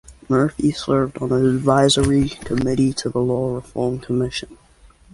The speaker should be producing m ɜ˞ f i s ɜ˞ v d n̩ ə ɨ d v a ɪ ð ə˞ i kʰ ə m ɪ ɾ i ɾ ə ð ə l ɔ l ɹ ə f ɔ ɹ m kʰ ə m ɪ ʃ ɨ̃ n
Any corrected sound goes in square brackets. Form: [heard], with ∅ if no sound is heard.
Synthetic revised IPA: m ɜ˞ f i s ɜ˞ v d n̩ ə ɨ d v a ɪ [z] ə˞ i kʰ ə m ɪ ɾ i ɾ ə ð ə l ɔ [∅] ɹ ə f ɔ ɹ m kʰ ə m ɪ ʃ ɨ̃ n